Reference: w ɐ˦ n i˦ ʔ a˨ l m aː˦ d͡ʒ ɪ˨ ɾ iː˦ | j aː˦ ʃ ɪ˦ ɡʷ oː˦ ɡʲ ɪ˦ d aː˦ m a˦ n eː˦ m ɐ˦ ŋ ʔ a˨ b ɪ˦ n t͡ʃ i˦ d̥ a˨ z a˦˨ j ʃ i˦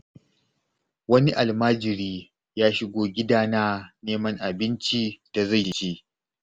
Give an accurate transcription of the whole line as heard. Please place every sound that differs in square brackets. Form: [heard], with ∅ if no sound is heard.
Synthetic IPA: w ɐ˦ n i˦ ʔ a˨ l m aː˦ d͡ʒ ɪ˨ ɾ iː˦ | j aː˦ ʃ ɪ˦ ɡʷ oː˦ ɡʲ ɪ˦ d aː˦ [n] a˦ n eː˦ m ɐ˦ ŋ ʔ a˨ b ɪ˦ n t͡ʃ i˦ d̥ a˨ z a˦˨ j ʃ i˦